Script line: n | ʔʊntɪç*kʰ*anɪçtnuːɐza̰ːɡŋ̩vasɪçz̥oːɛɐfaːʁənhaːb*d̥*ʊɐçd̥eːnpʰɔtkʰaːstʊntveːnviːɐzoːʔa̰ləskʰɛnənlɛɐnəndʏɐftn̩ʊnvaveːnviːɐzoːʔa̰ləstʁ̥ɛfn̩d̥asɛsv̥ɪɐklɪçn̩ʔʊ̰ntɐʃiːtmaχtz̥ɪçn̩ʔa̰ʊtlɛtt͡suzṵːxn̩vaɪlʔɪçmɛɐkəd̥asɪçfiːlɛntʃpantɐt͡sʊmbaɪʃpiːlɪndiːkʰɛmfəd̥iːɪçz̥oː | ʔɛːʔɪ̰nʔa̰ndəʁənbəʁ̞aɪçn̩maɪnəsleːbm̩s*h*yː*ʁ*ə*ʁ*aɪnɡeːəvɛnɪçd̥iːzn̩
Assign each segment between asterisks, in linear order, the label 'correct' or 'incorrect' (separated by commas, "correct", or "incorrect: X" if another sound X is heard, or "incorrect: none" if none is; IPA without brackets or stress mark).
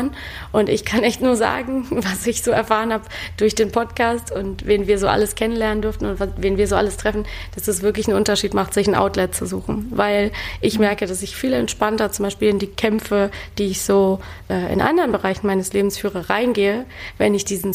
correct, correct, incorrect: f, correct, correct